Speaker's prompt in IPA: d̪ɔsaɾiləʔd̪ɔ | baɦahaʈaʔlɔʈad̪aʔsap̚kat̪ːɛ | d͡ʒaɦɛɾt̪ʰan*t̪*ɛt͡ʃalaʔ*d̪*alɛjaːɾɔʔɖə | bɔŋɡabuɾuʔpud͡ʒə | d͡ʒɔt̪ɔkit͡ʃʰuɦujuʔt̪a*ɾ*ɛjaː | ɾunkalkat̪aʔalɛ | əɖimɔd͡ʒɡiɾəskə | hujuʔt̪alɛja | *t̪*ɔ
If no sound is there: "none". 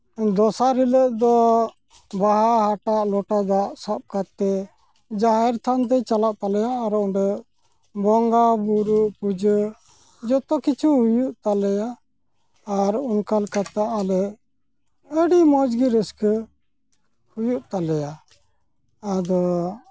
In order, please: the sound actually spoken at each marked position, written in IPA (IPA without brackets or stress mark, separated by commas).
t̪, t̪, l, d̪